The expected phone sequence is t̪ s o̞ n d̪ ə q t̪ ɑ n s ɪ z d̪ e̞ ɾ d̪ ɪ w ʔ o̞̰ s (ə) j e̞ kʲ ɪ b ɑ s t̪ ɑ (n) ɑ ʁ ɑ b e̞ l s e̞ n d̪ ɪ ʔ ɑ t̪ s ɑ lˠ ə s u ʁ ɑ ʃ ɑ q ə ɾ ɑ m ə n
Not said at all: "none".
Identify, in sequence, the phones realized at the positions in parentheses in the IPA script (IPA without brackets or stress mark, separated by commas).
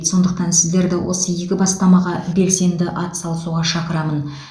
ə, m